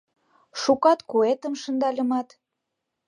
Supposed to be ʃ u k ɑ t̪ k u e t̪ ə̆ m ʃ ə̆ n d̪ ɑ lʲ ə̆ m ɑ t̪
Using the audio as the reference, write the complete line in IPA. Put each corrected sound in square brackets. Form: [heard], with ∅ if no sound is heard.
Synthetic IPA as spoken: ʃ u k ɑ t̪ k u e t̪ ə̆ m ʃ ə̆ n d̪ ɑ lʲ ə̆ m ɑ t̪